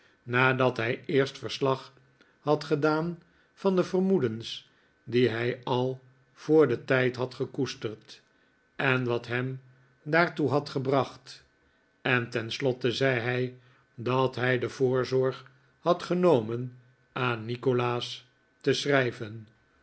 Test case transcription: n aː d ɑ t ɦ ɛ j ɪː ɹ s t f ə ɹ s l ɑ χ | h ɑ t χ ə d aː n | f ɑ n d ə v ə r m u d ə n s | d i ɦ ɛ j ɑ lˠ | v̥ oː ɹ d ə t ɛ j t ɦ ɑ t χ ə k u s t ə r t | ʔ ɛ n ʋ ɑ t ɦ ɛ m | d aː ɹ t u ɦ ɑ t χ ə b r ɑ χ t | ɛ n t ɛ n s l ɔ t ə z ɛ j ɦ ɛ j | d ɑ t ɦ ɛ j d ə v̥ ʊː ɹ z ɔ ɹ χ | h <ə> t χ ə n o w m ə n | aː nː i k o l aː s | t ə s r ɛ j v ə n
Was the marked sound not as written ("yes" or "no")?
yes